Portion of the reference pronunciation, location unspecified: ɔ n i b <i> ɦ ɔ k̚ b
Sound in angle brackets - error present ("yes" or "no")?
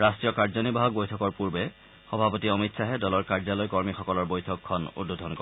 yes